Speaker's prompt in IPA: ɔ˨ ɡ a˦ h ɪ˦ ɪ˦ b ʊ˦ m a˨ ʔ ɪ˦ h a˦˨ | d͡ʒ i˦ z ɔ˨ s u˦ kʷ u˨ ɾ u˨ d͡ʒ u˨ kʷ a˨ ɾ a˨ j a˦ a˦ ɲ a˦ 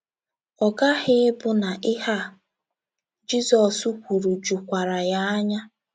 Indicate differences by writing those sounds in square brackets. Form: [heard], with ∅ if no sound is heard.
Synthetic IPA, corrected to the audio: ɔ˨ ɡ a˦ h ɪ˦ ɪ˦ b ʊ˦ [n] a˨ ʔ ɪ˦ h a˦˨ | d͡ʒ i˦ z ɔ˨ s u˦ kʷ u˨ ɾ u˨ d͡ʒ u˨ kʷ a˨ ɾ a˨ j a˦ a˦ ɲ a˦